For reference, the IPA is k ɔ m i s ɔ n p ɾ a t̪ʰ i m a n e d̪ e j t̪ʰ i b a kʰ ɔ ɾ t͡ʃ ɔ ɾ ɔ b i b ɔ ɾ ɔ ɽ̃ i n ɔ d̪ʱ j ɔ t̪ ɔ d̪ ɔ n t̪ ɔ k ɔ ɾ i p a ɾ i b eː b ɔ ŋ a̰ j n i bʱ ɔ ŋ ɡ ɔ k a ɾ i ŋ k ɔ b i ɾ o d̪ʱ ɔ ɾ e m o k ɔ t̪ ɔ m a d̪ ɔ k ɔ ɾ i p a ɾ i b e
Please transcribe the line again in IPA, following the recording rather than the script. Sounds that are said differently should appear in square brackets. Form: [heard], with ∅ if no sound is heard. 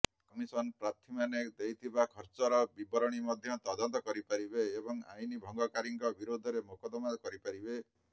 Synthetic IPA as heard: k ɔ m i s ɔ n p ɾ a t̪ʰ i m a n e d̪ e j t̪ʰ i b a kʰ ɔ ɾ t͡ʃ ɔ ɾ ɔ b i b ɔ ɾ ɔ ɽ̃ i [m] ɔ d̪ʱ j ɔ t̪ ɔ d̪ ɔ n t̪ ɔ k ɔ ɾ i p a ɾ i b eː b ɔ ŋ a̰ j n i bʱ ɔ ŋ ɡ ɔ k a ɾ i ŋ k ɔ b i ɾ o d̪ʱ ɔ ɾ e m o k ɔ [d̪] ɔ m a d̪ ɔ k ɔ ɾ i p a ɾ i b e